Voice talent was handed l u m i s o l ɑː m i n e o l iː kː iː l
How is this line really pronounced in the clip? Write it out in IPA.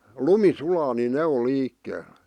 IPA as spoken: l u m i s u l ɑː n i n e o l iː kː eː l